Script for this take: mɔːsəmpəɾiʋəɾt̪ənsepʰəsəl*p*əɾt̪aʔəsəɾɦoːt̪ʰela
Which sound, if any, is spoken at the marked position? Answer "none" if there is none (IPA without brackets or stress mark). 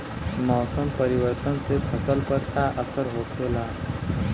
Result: p